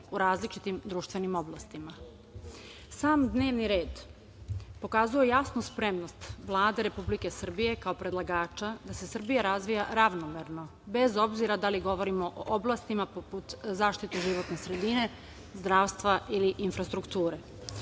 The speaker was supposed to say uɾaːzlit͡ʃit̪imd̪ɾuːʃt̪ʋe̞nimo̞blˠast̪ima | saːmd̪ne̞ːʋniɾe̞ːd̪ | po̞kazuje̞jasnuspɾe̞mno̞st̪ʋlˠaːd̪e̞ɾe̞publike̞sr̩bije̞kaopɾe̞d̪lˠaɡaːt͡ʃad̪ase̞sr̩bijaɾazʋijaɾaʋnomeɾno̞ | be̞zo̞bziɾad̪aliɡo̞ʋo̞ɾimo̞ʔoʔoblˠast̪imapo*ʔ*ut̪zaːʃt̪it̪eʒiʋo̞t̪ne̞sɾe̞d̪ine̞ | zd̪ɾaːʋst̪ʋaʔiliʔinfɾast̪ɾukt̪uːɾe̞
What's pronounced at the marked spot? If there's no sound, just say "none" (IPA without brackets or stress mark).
p